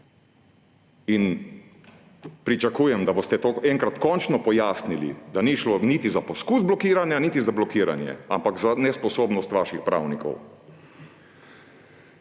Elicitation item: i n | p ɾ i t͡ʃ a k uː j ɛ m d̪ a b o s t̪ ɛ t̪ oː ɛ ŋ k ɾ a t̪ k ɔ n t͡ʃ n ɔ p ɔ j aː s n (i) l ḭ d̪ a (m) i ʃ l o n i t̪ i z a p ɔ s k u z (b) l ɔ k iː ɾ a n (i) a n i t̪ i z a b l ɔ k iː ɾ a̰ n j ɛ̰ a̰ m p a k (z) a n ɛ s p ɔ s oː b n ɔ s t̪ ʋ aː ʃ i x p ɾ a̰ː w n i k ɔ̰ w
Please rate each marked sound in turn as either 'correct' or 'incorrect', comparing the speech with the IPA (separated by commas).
correct, incorrect, correct, incorrect, correct